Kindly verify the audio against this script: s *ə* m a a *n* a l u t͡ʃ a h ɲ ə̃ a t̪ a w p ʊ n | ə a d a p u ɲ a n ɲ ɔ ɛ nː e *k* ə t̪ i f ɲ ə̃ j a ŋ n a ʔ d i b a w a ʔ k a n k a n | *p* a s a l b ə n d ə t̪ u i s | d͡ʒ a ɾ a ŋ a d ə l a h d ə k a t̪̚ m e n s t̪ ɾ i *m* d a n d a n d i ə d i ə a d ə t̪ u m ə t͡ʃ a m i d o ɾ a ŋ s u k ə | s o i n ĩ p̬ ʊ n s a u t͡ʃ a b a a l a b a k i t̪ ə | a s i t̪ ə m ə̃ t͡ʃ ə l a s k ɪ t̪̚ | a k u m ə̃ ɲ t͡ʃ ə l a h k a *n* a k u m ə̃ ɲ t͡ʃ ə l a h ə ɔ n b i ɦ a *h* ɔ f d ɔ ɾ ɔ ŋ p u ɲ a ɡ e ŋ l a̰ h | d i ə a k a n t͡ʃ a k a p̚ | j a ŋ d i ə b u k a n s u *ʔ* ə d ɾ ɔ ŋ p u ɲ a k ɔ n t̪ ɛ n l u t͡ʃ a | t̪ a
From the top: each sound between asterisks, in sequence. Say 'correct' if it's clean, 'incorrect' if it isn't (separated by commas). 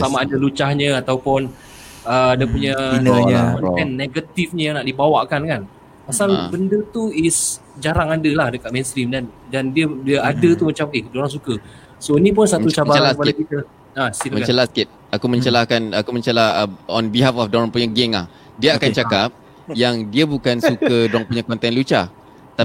incorrect, incorrect, incorrect, correct, correct, correct, incorrect, incorrect